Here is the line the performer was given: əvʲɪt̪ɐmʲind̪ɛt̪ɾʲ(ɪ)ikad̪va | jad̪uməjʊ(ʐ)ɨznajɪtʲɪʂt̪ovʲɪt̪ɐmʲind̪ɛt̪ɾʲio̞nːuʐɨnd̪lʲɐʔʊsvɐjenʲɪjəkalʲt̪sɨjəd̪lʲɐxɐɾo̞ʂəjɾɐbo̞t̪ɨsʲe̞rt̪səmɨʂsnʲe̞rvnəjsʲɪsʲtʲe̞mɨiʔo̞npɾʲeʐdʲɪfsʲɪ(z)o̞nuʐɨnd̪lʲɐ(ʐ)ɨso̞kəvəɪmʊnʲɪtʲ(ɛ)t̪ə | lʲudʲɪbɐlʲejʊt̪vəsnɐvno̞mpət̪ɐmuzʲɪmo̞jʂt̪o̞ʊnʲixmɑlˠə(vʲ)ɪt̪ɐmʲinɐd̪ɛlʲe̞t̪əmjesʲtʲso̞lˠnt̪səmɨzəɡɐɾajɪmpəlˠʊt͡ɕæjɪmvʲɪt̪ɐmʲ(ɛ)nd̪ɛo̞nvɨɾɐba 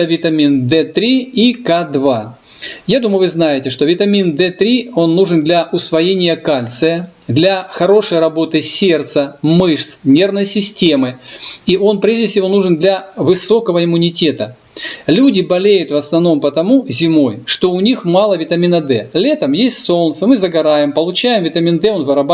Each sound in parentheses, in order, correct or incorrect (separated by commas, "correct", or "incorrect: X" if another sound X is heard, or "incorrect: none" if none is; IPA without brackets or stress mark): incorrect: i, incorrect: v, incorrect: v, incorrect: v, incorrect: e, correct, incorrect: i